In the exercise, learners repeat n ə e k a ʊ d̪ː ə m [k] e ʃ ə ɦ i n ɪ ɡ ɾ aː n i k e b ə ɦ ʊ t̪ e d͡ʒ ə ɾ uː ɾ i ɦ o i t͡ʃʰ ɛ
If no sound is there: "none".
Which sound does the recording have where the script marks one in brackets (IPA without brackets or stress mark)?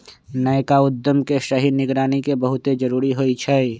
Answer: k